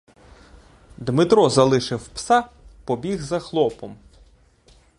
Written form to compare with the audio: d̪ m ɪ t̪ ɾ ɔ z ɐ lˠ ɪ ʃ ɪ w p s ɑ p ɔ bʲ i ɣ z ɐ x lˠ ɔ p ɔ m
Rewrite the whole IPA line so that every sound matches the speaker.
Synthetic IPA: d̪ m ɪ t̪ ɾ ɔ z ɐ lˠ ɪ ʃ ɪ w p s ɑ p ɔ bʲ i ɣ z ɐ x lˠ ɔ p ɔ m